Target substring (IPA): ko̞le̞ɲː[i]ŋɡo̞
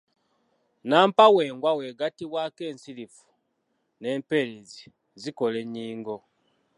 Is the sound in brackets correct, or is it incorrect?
incorrect